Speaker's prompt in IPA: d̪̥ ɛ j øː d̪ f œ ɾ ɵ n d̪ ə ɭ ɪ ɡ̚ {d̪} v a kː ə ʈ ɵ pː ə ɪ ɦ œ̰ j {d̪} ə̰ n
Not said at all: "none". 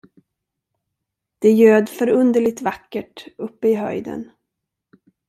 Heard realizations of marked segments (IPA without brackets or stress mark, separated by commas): t̪, d̪